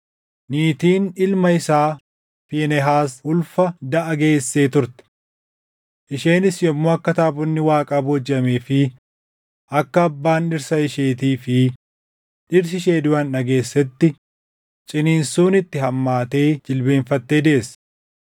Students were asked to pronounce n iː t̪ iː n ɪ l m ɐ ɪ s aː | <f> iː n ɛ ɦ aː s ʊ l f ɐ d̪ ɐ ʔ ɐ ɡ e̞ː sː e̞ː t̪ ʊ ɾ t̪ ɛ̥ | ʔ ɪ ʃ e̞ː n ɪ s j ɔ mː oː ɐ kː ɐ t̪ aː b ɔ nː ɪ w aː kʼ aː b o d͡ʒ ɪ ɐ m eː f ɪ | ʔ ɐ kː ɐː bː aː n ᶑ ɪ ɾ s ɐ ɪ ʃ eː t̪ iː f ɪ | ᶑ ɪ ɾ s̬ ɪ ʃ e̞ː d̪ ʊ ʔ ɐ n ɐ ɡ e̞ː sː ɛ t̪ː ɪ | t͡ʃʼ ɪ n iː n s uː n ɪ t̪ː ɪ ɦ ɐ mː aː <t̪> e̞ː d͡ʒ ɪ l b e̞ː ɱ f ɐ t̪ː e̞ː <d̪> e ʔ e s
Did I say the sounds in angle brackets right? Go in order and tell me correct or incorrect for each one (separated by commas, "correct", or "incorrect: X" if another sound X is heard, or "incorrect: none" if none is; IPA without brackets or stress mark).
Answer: correct, correct, correct